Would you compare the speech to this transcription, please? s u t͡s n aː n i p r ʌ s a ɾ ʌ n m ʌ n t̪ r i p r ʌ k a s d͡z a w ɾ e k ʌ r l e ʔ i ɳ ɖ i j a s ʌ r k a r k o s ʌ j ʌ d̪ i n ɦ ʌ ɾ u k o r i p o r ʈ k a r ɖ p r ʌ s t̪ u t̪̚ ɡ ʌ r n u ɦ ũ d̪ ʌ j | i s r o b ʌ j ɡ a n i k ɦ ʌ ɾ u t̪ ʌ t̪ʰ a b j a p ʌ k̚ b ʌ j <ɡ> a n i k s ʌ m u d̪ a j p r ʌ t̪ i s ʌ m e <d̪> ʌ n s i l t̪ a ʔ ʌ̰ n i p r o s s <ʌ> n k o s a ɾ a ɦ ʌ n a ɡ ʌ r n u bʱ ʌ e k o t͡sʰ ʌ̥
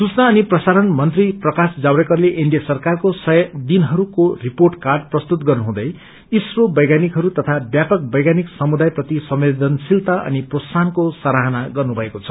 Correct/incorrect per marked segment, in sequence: correct, correct, incorrect: a

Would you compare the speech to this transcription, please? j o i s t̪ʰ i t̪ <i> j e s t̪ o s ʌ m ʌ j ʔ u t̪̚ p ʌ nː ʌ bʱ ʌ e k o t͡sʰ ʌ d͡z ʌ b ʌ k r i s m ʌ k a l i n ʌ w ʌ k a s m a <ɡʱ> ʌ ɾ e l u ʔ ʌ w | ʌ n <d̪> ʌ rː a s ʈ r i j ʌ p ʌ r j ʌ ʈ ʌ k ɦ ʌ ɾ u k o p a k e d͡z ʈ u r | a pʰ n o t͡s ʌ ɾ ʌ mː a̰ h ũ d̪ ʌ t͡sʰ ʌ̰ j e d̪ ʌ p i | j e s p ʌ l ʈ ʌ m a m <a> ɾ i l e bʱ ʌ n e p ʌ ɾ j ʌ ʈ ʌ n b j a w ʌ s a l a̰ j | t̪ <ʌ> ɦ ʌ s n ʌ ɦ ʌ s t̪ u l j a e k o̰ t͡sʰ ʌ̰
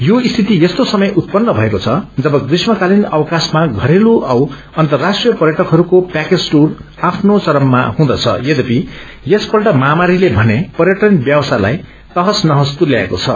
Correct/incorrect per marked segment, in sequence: correct, correct, incorrect: t̪, correct, correct

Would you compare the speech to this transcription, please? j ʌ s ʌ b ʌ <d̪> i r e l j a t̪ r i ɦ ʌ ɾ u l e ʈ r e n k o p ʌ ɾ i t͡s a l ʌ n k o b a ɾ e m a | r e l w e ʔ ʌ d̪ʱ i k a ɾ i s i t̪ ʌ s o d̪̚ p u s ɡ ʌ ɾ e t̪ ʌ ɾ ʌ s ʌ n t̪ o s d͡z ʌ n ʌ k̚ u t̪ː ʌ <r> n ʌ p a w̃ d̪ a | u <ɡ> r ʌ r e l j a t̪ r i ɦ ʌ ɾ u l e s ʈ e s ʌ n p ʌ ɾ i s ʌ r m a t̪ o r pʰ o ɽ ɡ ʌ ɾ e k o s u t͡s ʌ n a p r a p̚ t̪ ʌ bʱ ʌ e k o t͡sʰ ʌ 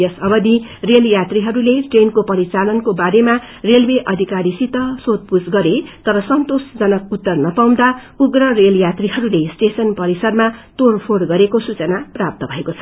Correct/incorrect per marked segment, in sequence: correct, correct, correct

